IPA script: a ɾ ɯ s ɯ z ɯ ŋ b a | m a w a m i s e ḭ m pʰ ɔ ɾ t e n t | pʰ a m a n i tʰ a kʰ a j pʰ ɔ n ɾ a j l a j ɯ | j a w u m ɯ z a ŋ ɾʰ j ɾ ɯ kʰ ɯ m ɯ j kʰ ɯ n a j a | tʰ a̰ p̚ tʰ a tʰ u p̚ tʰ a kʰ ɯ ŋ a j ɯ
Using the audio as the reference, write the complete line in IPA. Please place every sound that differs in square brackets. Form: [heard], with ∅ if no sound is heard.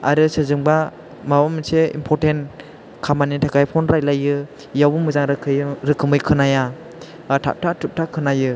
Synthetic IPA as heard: a ɾ ɯ s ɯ z ɯ ŋ b a | m a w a m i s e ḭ m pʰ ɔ ɾ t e n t | [kʰ] a m a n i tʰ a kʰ a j pʰ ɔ n ɾ a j l a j ɯ | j a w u m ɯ z a ŋ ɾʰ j ɾ ɯ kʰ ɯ m ɯ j kʰ ɯ n a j a | tʰ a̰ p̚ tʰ a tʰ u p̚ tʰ a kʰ ɯ [n] a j ɯ